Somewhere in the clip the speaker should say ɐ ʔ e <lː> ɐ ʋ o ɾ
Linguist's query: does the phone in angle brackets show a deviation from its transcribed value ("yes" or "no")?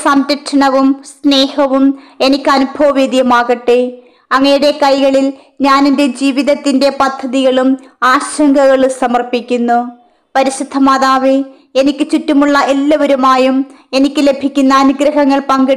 no